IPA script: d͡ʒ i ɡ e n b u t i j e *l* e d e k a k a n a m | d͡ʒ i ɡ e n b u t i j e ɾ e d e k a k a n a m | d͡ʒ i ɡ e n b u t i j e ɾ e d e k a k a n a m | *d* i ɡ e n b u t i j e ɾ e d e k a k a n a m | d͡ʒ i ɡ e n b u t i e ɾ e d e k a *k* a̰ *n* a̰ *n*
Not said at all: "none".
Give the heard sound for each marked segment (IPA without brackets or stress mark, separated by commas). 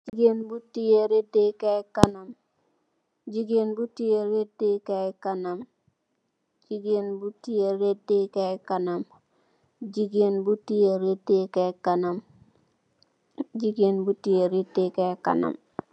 ɾ, d͡ʒ, k, n, m